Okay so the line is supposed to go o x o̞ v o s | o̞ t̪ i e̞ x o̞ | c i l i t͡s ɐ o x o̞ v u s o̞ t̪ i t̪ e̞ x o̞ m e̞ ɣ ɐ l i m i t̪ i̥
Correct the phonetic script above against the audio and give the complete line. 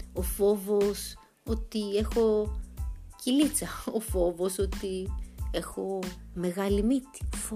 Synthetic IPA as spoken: o f o̞ v o s | o̞ t̪ i e̞ x o̞ | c i l i t͡s ɐ o f o̞ v o s o̞ t̪ i e̞ x o̞ m e̞ ɣ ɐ l i m i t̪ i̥